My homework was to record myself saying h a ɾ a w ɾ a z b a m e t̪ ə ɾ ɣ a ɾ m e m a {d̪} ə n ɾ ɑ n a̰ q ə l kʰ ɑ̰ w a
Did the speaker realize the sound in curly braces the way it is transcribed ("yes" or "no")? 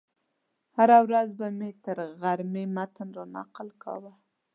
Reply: no